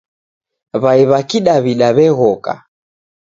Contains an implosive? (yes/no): yes